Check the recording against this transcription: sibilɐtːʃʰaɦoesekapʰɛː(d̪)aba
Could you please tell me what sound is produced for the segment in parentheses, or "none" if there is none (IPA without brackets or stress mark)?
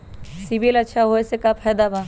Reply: d̪